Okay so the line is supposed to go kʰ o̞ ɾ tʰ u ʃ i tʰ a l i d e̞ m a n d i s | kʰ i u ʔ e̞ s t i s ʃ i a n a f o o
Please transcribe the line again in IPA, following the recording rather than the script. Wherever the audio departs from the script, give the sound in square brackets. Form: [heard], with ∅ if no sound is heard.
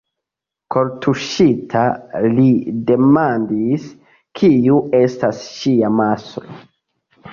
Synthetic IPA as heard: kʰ o̞ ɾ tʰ u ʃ i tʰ a l i d e̞ m a n d i s | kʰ i u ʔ e̞ s t [a] s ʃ i a [m] a [s] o o